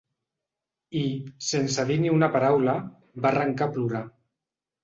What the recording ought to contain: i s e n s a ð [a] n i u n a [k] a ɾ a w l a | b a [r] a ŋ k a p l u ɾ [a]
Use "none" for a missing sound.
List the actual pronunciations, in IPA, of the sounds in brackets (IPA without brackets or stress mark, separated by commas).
i, p, r, a